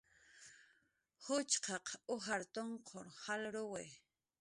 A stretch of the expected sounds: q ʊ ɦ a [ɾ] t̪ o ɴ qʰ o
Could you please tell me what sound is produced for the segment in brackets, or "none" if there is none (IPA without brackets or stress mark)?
ɾ